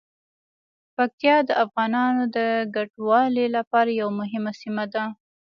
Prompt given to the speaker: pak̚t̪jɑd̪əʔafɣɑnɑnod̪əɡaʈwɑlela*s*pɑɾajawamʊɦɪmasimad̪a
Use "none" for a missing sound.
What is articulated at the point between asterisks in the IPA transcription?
none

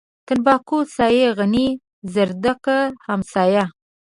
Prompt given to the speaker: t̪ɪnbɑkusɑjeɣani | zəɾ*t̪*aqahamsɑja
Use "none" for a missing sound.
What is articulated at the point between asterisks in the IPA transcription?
d̪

